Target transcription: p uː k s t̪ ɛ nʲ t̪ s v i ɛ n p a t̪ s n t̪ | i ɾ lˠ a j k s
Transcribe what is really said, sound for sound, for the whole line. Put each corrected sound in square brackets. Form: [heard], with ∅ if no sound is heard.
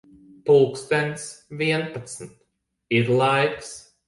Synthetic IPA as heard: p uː k s t̪ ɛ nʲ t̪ s v i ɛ n p a t̪ s n t̪ | i ɾ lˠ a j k s